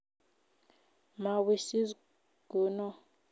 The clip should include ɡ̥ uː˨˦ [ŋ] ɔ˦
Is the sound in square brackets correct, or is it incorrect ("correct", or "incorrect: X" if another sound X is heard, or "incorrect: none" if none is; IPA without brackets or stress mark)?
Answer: incorrect: n